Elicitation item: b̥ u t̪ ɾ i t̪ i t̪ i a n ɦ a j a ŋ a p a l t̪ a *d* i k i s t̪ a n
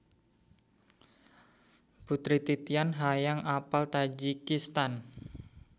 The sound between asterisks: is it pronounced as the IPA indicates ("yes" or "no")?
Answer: no